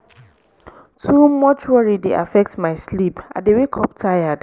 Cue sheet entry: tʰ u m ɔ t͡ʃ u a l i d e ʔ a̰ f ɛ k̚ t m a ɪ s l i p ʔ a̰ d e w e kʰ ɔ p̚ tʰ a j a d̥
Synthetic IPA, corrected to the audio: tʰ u m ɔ t͡ʃ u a ɹ i d e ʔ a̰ f ɛ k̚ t m a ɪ s l i p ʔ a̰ d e w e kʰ ɔ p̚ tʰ a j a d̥